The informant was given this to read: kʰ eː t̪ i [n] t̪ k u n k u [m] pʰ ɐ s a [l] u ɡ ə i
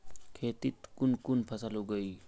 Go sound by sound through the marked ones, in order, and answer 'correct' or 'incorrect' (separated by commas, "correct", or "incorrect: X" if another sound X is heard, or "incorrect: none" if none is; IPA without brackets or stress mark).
incorrect: none, incorrect: n, correct